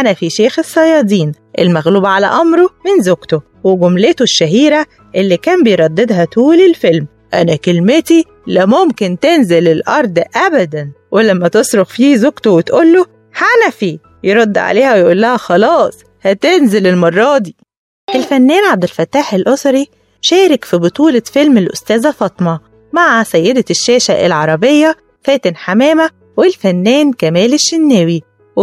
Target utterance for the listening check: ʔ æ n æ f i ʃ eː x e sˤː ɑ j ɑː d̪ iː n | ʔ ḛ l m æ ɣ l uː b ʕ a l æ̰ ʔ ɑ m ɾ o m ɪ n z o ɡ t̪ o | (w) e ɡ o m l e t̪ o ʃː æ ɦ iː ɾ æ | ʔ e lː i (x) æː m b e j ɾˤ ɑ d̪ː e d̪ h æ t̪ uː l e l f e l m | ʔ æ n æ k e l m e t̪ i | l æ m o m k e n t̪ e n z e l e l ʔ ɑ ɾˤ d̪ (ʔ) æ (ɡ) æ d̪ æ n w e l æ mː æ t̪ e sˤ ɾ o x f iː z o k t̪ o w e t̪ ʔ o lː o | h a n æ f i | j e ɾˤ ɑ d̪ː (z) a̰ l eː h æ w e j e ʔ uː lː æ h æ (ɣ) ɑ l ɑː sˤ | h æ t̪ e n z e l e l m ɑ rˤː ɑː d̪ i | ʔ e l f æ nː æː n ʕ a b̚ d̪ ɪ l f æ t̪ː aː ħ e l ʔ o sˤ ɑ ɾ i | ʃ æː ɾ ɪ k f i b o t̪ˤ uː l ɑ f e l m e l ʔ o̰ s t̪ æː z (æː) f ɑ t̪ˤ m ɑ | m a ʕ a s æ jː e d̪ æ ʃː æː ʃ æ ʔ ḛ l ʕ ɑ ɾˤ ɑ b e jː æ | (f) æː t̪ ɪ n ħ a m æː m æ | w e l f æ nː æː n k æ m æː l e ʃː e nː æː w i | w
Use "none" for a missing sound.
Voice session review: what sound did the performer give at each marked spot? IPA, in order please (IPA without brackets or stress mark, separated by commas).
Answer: w, k, ʔ, b, ʕ, x, æ, f